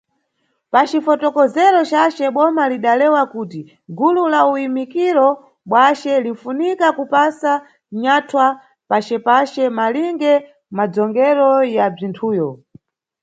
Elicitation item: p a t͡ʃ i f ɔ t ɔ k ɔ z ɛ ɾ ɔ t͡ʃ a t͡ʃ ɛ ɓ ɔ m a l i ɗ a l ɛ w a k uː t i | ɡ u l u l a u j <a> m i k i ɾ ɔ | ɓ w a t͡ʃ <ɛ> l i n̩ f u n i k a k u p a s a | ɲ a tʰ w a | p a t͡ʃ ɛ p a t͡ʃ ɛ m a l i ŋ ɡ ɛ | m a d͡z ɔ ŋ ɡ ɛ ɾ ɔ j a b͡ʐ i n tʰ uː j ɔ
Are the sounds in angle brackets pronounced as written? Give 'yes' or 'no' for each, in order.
no, yes

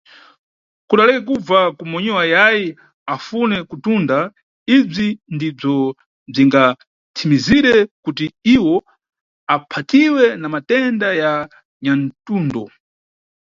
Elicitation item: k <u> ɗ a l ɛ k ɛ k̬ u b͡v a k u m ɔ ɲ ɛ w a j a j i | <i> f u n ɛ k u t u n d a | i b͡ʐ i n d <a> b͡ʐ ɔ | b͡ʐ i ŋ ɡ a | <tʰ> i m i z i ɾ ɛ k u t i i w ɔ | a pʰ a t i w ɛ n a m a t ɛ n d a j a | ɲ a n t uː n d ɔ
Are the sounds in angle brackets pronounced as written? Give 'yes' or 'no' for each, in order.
yes, no, no, yes

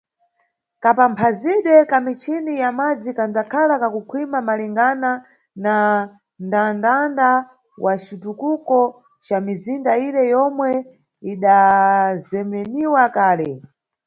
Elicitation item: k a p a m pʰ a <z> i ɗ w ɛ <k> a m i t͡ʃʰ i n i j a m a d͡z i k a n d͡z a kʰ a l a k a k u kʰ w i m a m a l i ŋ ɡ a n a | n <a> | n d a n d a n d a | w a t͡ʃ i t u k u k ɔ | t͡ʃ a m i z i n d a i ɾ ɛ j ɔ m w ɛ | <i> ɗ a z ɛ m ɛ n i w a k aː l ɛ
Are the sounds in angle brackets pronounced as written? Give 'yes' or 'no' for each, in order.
yes, yes, yes, yes

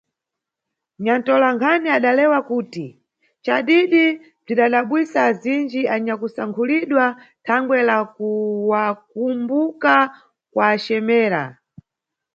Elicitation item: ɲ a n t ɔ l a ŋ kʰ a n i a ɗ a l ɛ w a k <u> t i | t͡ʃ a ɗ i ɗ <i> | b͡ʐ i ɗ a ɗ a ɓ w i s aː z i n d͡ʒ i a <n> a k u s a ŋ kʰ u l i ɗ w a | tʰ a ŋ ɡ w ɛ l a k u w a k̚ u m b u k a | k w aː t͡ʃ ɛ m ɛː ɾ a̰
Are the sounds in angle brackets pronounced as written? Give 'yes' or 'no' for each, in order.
no, yes, no

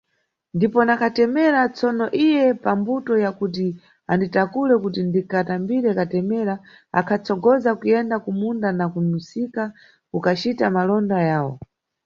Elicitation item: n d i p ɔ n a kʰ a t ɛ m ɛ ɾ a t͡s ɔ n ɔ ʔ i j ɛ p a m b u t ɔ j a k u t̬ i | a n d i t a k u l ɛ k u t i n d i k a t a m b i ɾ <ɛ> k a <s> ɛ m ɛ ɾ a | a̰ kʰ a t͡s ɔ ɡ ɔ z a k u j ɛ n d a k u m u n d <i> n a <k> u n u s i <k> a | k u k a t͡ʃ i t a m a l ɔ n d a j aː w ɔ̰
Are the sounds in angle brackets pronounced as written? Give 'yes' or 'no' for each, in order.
yes, no, no, yes, yes

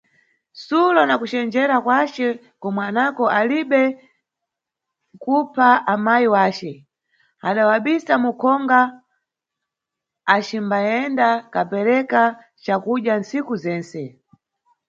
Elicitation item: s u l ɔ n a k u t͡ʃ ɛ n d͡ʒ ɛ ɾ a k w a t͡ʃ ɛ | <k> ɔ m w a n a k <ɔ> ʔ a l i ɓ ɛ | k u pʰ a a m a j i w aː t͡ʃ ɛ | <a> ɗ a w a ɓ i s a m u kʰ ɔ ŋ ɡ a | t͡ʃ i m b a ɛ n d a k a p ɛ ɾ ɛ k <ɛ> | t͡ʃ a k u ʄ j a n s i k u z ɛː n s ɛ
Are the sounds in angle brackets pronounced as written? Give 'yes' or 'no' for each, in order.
yes, yes, yes, no

